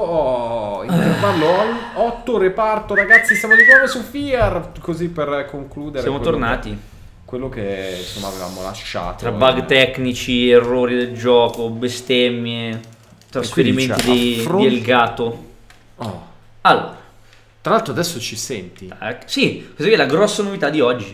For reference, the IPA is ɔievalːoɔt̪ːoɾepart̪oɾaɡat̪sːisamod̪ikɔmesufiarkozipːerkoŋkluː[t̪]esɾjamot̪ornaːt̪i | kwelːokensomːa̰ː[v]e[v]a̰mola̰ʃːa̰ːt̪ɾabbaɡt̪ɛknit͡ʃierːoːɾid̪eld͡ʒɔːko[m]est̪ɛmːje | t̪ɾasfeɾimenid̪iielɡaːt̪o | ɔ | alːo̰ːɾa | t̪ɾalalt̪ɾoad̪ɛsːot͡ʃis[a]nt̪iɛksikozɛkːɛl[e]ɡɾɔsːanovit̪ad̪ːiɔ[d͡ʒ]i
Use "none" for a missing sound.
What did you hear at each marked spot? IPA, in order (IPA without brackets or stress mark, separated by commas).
d̪, v, v, b, ɛ, a, d͡ʒː